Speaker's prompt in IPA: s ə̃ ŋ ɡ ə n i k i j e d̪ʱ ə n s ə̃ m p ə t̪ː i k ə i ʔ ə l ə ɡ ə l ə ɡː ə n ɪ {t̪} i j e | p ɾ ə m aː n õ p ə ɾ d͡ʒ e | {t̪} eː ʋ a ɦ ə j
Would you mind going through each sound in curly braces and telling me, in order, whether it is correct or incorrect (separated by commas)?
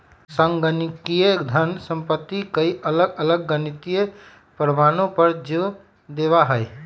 correct, incorrect